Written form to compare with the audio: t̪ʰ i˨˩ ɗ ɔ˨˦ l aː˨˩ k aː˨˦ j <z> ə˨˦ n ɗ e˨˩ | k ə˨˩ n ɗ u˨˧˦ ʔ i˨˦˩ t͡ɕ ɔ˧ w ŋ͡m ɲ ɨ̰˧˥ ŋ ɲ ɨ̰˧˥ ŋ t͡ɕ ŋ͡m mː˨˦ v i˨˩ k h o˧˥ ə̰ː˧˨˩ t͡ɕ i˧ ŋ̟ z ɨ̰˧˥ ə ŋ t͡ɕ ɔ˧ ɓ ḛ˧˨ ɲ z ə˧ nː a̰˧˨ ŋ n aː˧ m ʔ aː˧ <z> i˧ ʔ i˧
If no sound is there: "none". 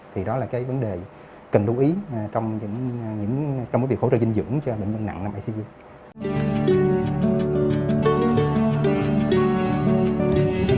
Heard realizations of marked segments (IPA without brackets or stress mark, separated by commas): v, s